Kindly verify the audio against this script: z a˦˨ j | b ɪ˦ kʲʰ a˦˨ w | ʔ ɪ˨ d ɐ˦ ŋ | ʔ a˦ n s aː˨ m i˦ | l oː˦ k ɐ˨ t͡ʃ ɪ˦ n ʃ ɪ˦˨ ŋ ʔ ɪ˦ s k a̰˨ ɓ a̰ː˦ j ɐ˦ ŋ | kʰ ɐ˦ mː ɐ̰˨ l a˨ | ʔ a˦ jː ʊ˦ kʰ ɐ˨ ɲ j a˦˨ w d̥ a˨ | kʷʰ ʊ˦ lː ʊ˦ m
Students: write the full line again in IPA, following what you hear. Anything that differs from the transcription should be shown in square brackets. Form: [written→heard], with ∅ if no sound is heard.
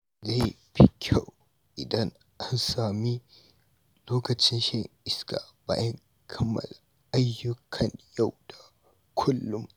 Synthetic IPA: z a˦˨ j | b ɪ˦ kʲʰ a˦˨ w | ʔ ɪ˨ d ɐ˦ ŋ | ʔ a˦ n s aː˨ m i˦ | l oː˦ k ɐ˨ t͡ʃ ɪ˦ n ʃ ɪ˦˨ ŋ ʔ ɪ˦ s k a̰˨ [ɓ→b] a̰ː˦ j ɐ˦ ŋ | kʰ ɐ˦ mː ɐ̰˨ l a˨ | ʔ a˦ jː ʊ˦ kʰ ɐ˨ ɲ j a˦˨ w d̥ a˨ | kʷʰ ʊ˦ lː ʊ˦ m